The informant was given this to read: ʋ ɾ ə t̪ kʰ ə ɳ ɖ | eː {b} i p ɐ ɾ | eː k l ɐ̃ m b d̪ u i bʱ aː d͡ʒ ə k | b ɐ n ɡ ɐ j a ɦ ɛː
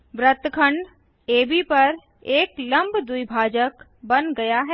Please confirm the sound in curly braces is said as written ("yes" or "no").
yes